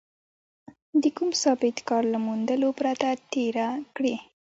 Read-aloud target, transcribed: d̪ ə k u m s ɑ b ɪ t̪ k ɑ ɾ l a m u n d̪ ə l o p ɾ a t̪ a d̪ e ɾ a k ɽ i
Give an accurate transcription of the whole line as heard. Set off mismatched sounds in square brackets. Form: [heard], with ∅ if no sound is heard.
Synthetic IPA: d̪ ə k u m s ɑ b ɪ t̪ k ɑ ɾ l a m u n d̪ ə l o p ɾ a t̪ a [t̪] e ɾ a k ɽ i